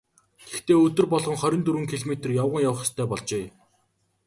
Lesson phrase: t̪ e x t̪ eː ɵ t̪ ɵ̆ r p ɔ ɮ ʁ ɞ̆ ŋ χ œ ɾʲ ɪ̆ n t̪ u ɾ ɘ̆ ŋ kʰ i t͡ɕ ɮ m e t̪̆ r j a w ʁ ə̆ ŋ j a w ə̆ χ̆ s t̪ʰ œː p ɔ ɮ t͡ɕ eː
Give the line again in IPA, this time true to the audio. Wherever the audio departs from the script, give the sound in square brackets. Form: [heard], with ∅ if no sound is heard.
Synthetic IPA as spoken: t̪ e x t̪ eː ɵ t̪ ɵ̆ r p ɔ ɮ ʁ ɞ̆ ŋ χ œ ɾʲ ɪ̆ n t̪ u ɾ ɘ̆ ŋ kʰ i [∅] ɮ m e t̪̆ r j a w ʁ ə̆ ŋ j a w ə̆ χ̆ s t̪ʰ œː p ɔ ɮ t͡ɕ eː